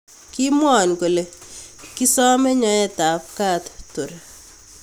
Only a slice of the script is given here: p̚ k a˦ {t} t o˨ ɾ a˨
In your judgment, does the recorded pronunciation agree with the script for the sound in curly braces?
yes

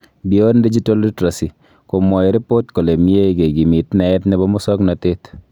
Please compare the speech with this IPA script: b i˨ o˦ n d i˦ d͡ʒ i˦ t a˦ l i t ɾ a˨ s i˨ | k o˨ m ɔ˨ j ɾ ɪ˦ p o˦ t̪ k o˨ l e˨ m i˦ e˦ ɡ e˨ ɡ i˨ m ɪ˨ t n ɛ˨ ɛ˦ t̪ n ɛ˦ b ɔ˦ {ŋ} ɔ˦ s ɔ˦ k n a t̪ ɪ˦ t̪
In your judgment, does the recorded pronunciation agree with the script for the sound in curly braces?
no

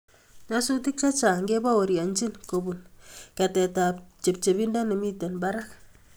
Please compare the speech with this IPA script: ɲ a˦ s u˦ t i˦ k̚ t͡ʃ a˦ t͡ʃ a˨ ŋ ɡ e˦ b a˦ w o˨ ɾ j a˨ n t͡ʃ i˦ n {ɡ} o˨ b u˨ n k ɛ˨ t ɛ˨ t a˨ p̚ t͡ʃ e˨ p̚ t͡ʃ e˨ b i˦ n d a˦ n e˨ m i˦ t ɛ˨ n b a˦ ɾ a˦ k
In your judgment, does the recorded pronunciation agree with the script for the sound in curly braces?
no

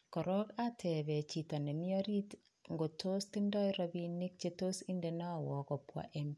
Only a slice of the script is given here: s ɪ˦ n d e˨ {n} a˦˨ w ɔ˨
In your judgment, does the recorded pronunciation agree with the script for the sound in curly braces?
yes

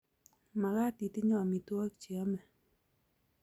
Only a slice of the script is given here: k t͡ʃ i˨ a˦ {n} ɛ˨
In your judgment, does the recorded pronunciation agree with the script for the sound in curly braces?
no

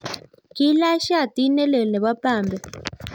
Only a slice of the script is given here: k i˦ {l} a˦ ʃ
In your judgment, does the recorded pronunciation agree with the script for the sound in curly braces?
yes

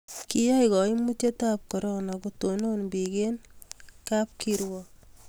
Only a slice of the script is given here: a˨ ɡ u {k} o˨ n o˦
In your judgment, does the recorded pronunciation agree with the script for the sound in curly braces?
no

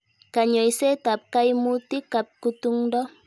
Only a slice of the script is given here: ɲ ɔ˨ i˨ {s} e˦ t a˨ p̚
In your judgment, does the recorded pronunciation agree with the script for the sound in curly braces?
yes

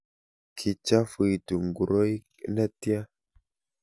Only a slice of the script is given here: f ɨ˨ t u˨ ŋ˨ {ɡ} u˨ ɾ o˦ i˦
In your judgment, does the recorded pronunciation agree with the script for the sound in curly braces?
yes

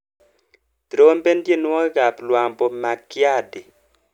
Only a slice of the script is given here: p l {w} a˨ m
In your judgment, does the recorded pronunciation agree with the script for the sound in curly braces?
yes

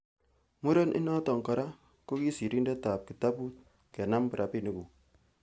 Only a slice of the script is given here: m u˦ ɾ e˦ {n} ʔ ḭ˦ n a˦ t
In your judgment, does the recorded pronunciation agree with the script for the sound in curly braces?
yes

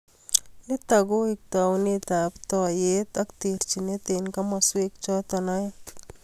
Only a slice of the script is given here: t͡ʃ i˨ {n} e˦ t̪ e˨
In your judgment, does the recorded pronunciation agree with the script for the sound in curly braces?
yes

